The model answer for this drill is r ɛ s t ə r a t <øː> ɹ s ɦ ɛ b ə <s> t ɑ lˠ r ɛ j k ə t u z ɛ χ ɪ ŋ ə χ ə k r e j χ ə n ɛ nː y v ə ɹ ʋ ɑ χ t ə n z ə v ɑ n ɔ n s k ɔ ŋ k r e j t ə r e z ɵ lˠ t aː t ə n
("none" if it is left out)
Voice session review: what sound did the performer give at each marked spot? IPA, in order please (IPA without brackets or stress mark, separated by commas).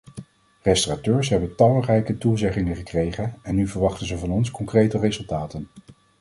øː, none